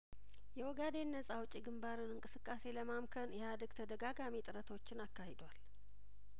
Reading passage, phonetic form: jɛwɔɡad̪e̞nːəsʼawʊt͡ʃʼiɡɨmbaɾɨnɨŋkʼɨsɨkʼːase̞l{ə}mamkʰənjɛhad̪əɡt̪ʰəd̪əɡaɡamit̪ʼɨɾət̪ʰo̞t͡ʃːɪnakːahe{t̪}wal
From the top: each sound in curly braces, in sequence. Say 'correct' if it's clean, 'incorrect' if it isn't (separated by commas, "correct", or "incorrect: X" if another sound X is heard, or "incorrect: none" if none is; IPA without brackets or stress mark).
correct, incorrect: d̪